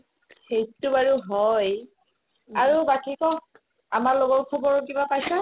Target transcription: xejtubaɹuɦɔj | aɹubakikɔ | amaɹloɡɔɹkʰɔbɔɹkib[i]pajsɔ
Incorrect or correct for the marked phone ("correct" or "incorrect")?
incorrect